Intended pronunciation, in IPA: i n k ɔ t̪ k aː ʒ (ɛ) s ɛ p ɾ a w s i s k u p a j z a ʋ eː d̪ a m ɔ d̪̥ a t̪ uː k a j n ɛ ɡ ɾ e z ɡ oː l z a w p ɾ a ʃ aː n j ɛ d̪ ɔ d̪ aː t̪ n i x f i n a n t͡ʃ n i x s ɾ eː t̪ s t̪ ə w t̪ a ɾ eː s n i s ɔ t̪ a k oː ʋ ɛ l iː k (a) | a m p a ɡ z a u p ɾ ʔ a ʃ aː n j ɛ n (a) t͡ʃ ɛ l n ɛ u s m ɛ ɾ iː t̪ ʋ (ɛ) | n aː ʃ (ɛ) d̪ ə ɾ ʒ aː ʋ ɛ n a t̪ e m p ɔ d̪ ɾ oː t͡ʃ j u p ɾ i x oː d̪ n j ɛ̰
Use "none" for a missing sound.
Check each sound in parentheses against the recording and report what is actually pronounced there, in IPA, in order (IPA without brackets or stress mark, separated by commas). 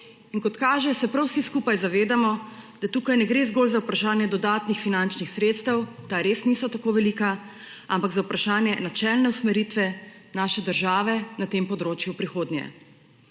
ɛ, a, a, ɛ, ɛ